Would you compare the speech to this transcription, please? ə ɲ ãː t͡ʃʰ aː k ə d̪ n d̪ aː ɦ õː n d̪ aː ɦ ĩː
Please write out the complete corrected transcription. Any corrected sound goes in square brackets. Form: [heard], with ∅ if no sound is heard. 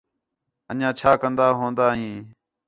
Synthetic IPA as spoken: ə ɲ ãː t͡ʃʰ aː k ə [∅] n d̪ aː ɦ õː n d̪ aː ɦ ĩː